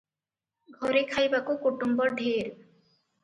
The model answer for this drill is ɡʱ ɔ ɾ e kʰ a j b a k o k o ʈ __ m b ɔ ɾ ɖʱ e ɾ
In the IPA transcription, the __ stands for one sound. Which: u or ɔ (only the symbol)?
u